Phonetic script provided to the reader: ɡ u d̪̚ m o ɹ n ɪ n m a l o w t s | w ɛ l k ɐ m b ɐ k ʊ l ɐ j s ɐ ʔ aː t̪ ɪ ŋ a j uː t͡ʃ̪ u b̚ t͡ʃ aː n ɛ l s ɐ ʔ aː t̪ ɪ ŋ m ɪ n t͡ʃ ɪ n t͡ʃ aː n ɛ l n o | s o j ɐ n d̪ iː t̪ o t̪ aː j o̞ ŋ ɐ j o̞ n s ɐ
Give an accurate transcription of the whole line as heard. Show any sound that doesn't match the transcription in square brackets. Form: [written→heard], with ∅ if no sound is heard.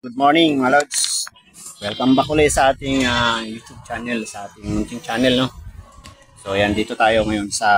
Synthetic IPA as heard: ɡ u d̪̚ m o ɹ n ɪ [n→ŋ] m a l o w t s | w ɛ l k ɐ m b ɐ k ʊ l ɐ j s ɐ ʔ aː t̪ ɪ ŋ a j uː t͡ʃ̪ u b̚ t͡ʃ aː n ɛ l s ɐ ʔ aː t̪ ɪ ŋ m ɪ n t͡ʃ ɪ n t͡ʃ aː n ɛ l n o | s o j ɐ n d̪ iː t̪ o t̪ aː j o̞ ŋ ɐ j o̞ n s ɐ